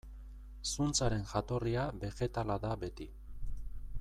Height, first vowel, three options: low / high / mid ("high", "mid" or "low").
high